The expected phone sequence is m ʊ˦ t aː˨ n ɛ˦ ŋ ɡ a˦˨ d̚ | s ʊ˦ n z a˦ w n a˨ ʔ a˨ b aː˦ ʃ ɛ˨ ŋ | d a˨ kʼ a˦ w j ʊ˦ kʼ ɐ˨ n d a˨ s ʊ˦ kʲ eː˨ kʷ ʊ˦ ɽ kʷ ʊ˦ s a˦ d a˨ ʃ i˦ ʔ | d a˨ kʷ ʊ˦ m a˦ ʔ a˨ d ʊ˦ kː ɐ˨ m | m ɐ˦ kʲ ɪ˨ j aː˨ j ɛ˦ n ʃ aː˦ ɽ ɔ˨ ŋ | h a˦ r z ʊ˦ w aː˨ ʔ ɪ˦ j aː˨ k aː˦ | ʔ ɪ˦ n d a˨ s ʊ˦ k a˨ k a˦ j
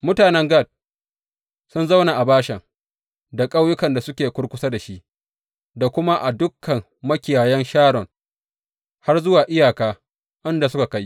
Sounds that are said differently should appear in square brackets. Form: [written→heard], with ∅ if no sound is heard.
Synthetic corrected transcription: m ʊ˦ t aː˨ n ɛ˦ ŋ ɡ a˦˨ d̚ | s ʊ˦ n z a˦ w n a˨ ʔ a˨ b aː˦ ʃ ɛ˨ ŋ | d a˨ kʼ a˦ w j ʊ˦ [kʼ→k] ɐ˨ n d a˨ s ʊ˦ kʲ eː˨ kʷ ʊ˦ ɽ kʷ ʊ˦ s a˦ d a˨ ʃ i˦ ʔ | d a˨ kʷ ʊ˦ m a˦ ʔ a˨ d ʊ˦ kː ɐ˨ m | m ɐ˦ kʲ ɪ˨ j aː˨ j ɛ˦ n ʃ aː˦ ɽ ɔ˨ ŋ | h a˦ r z ʊ˦ w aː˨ ʔ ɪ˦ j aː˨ k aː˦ | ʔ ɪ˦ n d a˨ s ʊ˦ k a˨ k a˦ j